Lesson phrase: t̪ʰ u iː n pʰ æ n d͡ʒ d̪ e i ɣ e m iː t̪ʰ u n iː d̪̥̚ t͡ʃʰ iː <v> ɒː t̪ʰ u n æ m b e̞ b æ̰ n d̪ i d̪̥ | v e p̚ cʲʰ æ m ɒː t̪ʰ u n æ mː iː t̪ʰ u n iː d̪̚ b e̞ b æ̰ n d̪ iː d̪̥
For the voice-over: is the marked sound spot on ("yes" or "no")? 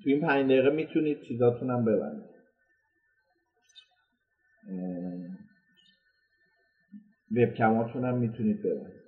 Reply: no